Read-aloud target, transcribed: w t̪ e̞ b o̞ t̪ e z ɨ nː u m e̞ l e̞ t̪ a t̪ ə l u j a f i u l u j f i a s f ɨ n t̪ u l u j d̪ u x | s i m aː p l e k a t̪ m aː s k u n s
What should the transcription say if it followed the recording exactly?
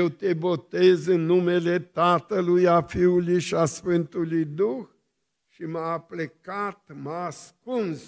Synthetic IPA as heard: w t̪ e̞ b o̞ t̪ e z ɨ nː u m e̞ l e̞ t̪ a t̪ ə l u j a f i u l u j ʃ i a s f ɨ n t̪ u l u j d̪ u x | ʃ i m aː p l e k a t̪ m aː s k u n s